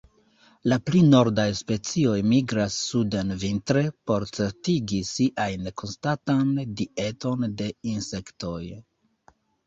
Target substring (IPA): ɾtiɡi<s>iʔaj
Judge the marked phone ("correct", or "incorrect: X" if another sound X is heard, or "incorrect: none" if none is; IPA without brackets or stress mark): correct